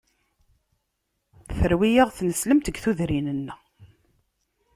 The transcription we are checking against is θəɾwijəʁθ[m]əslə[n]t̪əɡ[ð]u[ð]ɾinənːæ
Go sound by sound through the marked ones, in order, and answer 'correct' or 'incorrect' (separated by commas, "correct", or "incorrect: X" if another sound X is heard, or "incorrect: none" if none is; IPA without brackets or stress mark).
incorrect: n, incorrect: m, incorrect: θ, correct